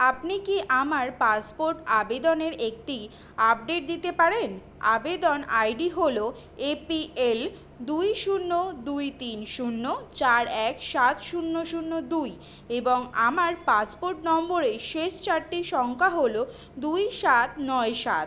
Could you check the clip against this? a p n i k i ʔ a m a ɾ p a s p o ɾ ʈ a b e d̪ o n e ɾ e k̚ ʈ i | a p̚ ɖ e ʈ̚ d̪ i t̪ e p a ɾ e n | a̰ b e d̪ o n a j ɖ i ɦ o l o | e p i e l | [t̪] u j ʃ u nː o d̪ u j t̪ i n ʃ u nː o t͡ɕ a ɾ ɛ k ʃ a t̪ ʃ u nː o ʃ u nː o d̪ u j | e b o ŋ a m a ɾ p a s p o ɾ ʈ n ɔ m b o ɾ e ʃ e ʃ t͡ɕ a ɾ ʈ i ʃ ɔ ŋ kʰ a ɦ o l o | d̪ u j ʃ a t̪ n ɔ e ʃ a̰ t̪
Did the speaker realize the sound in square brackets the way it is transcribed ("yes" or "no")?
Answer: no